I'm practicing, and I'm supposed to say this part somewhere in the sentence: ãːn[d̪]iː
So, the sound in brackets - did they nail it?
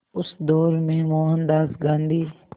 yes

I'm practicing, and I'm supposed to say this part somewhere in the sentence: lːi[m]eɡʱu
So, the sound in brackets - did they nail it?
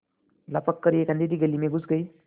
yes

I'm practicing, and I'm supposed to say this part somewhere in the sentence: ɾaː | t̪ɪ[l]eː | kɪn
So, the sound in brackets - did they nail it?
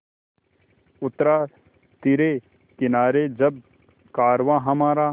no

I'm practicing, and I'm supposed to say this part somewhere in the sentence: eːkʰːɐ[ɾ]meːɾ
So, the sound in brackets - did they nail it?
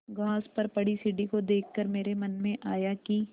yes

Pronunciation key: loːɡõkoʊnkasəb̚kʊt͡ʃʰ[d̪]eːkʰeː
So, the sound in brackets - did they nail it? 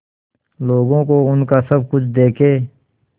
yes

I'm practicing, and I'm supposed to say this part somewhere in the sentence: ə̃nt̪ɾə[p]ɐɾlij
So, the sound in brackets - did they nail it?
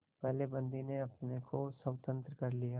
no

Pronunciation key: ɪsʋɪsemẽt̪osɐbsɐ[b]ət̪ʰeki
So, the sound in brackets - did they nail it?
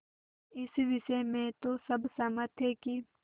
no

